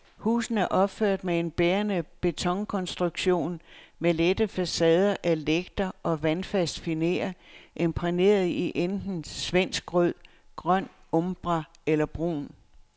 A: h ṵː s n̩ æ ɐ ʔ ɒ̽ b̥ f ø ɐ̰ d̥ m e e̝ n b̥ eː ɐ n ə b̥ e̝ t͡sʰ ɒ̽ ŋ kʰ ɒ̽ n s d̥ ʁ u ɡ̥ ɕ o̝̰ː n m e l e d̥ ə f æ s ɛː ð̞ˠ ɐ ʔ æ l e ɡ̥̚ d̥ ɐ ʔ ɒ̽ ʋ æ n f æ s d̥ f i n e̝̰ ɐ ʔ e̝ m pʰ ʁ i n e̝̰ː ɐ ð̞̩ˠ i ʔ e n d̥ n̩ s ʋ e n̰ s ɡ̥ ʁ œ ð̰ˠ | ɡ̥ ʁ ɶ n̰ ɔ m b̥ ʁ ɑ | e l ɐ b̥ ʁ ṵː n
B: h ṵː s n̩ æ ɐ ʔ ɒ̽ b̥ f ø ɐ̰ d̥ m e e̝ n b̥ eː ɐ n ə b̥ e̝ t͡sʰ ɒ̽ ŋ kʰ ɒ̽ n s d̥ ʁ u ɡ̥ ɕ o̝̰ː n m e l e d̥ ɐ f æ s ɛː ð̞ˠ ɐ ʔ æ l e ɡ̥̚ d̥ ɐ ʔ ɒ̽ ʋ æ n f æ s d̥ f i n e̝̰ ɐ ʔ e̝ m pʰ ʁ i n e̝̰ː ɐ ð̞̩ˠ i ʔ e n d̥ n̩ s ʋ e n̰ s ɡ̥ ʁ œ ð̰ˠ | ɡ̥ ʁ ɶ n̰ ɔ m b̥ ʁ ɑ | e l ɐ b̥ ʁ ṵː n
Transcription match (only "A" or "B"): A